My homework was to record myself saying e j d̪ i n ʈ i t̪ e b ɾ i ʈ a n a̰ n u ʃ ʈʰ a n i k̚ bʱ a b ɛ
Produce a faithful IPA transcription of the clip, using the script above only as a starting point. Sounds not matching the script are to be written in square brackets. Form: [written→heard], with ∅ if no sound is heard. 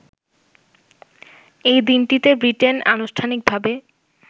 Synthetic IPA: e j d̪ i n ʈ i t̪ e b ɾ i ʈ [a→e] n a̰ n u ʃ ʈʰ a n i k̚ bʱ a b [ɛ→e]